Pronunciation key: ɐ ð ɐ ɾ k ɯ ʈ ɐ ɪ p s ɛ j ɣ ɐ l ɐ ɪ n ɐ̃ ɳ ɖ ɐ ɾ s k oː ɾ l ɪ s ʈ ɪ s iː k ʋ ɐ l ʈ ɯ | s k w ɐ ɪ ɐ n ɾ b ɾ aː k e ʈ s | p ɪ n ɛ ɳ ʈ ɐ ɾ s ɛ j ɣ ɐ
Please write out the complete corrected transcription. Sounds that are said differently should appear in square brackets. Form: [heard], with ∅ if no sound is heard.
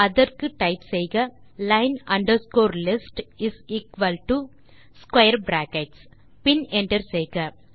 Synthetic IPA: ɐ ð ɐ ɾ k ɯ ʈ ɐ ɪ p s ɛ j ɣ ɐ l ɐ ɪ n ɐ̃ ɳ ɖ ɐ ɾ s k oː ɾ l ɪ s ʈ ɪ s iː k ʋ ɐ l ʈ [u] | s k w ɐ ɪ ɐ [∅] ɾ b ɾ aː k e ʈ s | p ɪ n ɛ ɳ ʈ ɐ ɾ s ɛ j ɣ ɐ